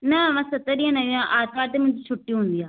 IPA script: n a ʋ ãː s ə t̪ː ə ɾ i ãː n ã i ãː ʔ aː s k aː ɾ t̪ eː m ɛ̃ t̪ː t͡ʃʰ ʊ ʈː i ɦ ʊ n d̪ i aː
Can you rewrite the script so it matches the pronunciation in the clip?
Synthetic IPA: n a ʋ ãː s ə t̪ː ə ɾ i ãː n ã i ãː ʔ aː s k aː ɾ t̪ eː m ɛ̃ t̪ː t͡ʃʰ ʊ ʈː i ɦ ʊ n d̪ i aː